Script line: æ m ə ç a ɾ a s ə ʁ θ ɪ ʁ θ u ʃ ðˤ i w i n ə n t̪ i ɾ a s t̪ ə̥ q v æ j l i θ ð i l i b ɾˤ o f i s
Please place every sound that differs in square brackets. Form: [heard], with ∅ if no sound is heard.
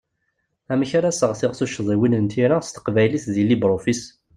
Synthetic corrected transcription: æ m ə ç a ɾ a s ə ʁ θ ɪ ʁ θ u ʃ ðˤ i w i n ə n t̪ i ɾ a s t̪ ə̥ q v æ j l i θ ð i l i b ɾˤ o f i s